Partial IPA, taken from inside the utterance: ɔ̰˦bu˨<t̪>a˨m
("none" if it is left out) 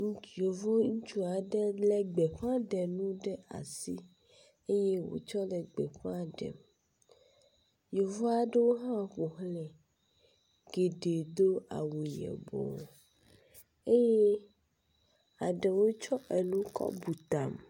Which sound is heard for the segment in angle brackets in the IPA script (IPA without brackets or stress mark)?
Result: t̪